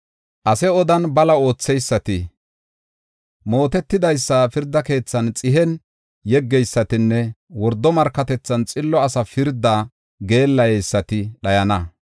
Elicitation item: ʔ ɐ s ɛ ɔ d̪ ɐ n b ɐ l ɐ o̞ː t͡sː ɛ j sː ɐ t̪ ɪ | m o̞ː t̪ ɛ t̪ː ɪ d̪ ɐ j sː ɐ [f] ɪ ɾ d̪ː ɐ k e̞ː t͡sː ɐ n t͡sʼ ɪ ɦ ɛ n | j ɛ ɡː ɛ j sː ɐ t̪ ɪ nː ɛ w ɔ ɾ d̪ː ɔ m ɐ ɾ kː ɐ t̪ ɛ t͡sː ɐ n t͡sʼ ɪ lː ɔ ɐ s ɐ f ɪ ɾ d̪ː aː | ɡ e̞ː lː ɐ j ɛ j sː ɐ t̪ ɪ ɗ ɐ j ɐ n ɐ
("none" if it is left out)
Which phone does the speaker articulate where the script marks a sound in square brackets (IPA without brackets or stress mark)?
f